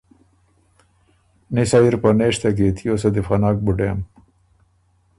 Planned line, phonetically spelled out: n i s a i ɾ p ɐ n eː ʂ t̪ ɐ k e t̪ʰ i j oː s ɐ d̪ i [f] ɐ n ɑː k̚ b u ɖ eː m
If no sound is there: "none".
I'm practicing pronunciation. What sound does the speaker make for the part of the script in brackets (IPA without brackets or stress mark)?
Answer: f